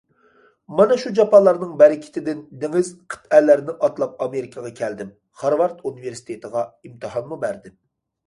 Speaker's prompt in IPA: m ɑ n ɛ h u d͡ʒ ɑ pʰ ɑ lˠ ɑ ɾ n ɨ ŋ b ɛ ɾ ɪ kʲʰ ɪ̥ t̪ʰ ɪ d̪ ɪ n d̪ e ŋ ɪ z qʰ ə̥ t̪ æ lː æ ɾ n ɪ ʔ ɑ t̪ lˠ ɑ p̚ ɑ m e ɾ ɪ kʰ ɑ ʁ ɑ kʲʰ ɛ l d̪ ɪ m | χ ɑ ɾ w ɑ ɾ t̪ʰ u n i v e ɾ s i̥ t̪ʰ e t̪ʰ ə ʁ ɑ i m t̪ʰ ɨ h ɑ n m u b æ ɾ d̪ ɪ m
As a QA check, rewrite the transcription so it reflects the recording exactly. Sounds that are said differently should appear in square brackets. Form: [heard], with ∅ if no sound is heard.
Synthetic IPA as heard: m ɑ n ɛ [ʃ] u d͡ʒ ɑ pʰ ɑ lˠ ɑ ɾ n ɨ ŋ b ɛ ɾ ɪ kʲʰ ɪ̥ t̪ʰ ɪ d̪ ɪ n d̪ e ŋ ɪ z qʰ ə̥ t̪ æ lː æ ɾ n ɪ ʔ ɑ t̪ lˠ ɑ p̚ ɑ m e ɾ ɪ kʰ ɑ ʁ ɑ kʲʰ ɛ l d̪ ɪ m | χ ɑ ɾ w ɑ ɾ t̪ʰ u n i v e ɾ s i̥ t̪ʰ e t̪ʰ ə ʁ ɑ i m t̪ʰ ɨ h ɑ n m u b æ ɾ d̪ ɪ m